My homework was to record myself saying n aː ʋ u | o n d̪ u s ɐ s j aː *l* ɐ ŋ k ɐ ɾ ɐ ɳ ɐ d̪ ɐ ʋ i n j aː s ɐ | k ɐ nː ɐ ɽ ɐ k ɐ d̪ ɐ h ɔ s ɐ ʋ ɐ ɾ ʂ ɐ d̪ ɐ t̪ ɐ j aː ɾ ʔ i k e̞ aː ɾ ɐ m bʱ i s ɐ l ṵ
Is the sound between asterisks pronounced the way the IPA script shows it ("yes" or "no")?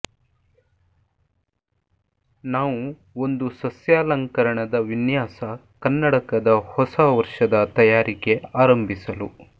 yes